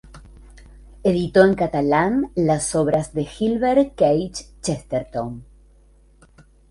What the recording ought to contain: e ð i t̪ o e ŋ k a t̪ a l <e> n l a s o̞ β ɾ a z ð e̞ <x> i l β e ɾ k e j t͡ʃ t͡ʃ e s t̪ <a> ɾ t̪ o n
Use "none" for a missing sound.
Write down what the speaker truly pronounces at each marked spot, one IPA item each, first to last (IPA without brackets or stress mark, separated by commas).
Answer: a, x, e